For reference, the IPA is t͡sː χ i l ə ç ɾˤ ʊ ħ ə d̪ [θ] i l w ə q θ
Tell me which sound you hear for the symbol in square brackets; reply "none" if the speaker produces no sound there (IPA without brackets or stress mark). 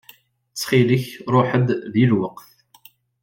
ð